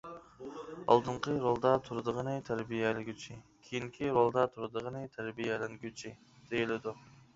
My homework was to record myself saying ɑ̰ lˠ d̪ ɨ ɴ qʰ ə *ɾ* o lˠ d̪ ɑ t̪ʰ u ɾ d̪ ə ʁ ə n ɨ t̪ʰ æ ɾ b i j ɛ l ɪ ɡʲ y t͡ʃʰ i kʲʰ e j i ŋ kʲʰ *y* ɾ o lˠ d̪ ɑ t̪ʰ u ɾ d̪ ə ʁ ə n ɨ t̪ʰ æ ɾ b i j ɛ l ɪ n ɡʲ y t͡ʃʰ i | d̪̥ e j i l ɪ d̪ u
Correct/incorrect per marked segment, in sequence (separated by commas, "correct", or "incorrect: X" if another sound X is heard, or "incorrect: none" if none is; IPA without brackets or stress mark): correct, incorrect: i